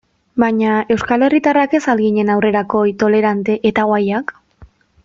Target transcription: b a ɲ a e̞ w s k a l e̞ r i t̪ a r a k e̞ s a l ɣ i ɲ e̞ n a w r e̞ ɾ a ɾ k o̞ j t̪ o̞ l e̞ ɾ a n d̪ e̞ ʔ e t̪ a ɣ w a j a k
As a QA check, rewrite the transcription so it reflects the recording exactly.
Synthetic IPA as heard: b a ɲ a e̞ w s k a l e̞ r i t̪ a r a k e̞ s a l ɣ i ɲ e̞ n a w r e̞ ɾ a k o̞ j t̪ o̞ l e̞ ɾ a n t̪ e̞ ʔ e t̪ a ɣ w a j a k